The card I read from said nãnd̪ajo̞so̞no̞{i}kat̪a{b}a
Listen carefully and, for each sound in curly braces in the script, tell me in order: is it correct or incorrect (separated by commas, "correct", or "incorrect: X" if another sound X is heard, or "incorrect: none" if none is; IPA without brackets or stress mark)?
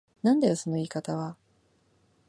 incorrect: iː, incorrect: β